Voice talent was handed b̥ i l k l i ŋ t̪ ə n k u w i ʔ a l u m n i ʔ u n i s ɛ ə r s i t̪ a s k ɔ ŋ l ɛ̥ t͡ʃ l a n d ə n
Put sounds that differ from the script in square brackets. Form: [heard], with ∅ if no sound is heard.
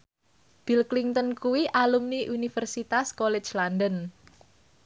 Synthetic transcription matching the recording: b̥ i l k l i ŋ t̪ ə n k u w i ʔ a l u m n i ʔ u n i [f] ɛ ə r s i t̪ a s k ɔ [∅] l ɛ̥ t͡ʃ l a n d ə n